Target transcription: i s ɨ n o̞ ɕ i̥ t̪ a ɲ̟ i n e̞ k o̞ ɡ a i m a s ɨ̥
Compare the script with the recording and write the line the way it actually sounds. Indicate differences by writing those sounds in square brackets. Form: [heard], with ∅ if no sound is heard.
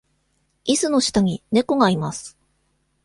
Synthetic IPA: i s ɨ n o̞ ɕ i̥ t̪ a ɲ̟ i n e̞ k o̞ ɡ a i m a s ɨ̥